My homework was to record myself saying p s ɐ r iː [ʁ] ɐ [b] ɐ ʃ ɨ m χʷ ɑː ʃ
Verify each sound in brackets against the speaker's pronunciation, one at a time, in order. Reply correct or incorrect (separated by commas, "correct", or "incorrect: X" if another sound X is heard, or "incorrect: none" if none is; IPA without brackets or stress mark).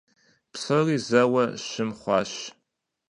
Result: incorrect: z, incorrect: w